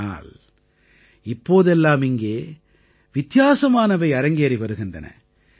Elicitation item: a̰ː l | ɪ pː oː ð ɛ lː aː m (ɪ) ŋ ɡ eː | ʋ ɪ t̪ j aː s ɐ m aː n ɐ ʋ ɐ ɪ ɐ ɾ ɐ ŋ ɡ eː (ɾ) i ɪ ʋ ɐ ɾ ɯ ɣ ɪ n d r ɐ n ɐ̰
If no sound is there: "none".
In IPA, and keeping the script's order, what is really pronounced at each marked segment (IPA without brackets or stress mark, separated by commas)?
ɪ, ɾ